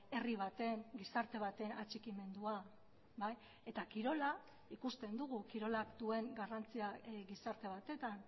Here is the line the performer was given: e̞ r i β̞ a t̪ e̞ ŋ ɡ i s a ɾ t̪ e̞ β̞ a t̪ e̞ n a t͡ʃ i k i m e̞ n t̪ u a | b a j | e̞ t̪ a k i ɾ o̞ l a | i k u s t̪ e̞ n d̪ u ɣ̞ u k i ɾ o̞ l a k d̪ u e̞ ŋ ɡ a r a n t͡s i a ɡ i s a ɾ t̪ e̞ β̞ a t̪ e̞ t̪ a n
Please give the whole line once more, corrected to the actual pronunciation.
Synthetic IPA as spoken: e̞ r i β̞ a t̪ e̞ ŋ ɡ i s a ɾ t̪ e̞ β̞ a t̪ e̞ n a t͡ʃ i k i m e̞ n d̪ u a | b a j | e̞ t̪ a k i ɾ o̞ l a | i k u s t̪ e̞ n d̪ u ɣ̞ u k i ɾ o̞ l a k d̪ u e̞ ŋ ɡ a r a n t͡s i a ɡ i s a ɾ t̪ e̞ β̞ a t̪ e̞ t̪ a n